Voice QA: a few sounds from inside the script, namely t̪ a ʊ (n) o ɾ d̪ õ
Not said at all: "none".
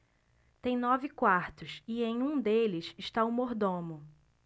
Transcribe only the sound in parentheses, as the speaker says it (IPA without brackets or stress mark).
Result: m